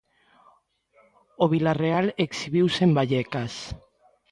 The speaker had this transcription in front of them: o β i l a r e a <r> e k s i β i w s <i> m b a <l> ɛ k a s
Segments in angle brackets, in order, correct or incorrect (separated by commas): incorrect, incorrect, incorrect